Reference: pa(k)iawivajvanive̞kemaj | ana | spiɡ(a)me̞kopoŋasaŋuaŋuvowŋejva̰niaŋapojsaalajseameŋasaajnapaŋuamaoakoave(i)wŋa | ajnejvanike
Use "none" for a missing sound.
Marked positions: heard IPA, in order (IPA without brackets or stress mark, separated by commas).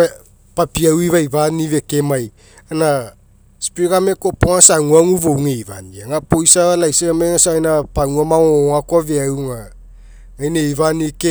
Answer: p, a, a